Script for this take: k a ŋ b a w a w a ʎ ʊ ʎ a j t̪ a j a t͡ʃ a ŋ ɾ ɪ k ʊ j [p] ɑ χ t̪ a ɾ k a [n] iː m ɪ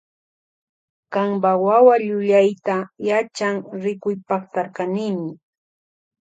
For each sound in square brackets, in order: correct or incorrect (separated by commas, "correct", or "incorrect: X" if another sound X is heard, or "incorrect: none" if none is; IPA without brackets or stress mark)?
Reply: correct, correct